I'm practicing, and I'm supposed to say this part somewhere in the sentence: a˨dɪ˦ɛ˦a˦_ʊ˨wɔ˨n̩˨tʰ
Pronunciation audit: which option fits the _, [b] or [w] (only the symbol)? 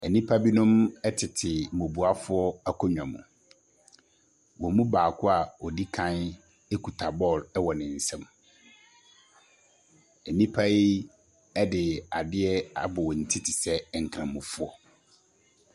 b